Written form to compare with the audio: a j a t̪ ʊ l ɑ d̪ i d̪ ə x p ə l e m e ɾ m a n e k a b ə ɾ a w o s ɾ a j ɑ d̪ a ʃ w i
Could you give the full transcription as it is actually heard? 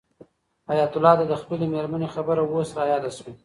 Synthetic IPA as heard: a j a t̪ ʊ l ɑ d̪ a d̪ ə x p ə l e m e ɾ m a n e x a b ə ɾ a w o s ɾ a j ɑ d̪ a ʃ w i

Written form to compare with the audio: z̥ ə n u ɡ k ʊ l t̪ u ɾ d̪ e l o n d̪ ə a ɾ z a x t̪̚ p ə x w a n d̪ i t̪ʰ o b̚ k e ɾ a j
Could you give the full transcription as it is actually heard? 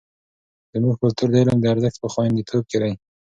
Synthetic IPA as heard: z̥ ə m u ɡ k ʊ l t̪ u ɾ d̪ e l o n d̪ ə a ɾ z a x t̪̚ p ə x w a n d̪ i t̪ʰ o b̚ k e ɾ a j

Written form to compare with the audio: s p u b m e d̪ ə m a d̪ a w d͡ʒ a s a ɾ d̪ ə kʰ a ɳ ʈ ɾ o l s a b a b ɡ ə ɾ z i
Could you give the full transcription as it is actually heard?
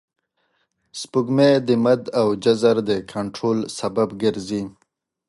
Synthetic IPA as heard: s p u ɡ m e d̪ ə m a d̪ a w d͡ʒ a z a ɾ d̪ ə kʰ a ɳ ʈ ɾ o l s a b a b ɡ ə ɾ z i

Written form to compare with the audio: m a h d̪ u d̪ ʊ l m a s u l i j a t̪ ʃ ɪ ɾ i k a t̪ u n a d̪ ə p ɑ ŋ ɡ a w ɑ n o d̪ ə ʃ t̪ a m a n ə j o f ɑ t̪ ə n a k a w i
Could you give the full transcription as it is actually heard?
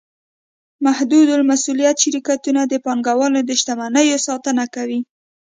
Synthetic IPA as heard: m a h d̪ u d̪ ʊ l m a s u l i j a t̪ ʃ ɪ ɾ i k a t̪ u n a d̪ ə p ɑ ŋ ɡ a w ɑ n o d̪ ə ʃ t̪ a m a n ə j o s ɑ t̪ ə n a k a w i

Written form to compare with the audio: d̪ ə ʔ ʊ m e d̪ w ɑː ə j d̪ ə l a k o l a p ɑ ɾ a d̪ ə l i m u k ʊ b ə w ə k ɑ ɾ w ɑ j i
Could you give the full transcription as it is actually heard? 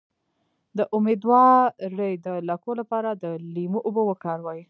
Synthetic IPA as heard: d̪ ə ʔ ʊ m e d̪ w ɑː ə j d̪ ə l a k o l a p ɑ ɾ a d̪ ə l i m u ʔ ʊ b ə w ə k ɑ ɾ w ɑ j i

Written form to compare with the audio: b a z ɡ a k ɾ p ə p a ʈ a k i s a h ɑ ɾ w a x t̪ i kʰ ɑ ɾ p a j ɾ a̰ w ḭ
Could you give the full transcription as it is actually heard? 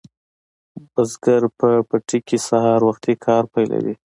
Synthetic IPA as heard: b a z ɡ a ɾ p ə p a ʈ i k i s a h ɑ ɾ w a x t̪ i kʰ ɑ ɾ p a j l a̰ w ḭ

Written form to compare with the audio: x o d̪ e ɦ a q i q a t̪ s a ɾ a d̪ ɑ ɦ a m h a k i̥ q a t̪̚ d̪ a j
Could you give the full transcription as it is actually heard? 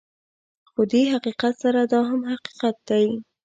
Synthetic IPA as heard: x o d̪ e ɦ a q i q a t̪ s a ɾ a d̪ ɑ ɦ a m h a q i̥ q a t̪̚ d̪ a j

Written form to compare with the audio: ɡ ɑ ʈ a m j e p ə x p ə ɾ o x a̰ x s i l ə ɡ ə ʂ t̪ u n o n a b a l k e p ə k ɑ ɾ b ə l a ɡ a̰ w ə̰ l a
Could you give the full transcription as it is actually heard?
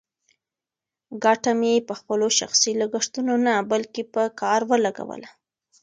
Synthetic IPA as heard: ɡ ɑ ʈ a m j e p ə x p ə l o ʃ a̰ x s i l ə ɡ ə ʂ t̪ u n o n a b a l k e p ə k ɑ ɾ w ə l a ɡ a̰ w ə̰ l a

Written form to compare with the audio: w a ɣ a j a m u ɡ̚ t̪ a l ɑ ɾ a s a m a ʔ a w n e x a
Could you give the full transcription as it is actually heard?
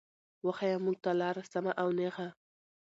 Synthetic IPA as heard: w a x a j a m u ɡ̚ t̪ a l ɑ ɾ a s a m a ʔ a w n e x a

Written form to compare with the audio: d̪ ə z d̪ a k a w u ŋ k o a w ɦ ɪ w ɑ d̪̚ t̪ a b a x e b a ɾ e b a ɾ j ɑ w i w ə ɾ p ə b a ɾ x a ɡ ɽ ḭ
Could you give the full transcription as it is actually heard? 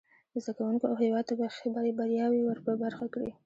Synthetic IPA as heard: d̪ ə z d̪ a k a w u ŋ k o a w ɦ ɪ w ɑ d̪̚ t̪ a b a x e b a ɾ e b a ɾ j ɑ w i w ə ɾ p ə b a ɾ x a k ɽ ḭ

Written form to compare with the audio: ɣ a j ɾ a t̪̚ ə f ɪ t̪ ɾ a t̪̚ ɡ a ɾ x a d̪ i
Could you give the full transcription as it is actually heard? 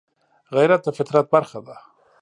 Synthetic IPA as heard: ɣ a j ɾ a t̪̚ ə f ɪ t̪ ɾ a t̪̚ b a ɾ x a d̪ a

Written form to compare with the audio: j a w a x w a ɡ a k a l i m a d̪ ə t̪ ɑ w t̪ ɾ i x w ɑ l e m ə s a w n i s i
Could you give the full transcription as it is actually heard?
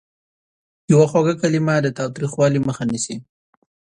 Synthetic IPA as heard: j a w a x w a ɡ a k a l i m a d̪ ə t̪ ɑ w t̪ ɾ i x w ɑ l i m ə x a n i s i

